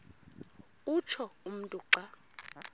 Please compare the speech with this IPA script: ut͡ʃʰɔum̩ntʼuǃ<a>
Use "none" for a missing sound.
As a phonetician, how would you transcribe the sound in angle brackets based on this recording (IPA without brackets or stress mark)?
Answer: a